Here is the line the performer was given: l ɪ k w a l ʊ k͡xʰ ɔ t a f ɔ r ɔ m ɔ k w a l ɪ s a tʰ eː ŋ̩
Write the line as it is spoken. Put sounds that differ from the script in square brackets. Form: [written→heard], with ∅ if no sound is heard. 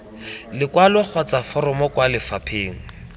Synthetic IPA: l ɪ k w a l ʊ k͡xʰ ɔ [t→t͡s] a f ɔ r ɔ m ɔ k w a l ɪ [s→f] a [tʰ→pʰ] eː ŋ̩

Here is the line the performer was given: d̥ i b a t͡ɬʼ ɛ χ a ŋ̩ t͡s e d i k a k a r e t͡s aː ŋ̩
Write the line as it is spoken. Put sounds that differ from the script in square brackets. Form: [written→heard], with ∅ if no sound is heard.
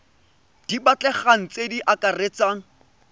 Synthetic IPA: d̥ i b a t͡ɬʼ ɛ χ a ŋ̩ t͡s e d i [k→ʔ] a k a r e t͡s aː ŋ̩

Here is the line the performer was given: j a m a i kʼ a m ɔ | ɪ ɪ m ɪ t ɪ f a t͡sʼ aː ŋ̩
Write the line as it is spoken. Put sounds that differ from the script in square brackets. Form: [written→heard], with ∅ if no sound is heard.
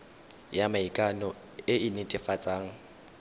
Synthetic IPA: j a m a i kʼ a [m→n] ɔ | ɪ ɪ [m→n] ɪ [t→tʼ] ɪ f a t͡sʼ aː ŋ̩

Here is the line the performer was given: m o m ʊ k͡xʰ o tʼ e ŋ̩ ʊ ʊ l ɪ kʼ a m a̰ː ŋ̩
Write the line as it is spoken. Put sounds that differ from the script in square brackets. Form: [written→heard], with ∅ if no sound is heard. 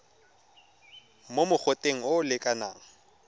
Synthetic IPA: m o m ʊ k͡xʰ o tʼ e ŋ̩ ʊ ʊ l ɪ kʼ a [m→n] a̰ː ŋ̩

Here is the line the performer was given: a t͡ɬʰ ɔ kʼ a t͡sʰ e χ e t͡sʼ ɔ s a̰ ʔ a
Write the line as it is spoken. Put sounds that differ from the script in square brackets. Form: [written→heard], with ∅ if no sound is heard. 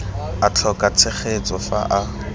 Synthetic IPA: a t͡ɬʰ ɔ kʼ a t͡sʰ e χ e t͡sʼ ɔ [s→f] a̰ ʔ a

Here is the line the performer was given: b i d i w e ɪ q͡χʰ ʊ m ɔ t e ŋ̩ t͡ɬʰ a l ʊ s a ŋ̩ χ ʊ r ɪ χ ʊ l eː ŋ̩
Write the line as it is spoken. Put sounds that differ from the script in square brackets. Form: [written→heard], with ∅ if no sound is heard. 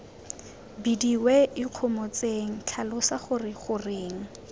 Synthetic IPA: b i d i w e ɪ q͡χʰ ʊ m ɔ [t→t͡s] e ŋ̩ t͡ɬʰ a l ʊ s a [ŋ̩→∅] χ ʊ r ɪ χ ʊ [l→r] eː ŋ̩

